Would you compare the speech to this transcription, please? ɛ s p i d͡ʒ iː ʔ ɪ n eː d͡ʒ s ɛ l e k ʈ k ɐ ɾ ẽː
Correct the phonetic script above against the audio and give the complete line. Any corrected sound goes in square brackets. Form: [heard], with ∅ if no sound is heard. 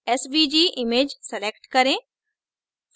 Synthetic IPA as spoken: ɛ s [b] i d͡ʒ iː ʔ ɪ [m] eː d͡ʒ s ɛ l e k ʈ k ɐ ɾ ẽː